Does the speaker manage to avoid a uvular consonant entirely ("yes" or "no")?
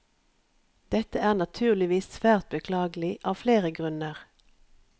no